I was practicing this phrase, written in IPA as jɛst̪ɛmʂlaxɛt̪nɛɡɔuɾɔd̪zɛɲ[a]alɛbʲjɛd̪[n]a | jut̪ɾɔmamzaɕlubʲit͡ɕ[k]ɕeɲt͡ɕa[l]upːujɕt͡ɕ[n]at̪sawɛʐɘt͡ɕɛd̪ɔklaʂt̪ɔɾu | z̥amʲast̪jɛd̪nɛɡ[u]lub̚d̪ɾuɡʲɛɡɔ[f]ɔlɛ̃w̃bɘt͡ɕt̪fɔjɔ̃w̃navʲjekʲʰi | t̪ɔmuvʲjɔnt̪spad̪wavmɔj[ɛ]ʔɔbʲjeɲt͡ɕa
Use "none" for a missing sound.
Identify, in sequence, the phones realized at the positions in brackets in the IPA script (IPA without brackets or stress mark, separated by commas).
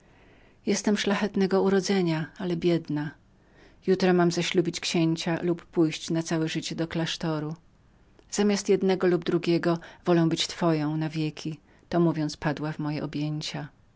a, n, k, l, n, ɔ, v, ɛ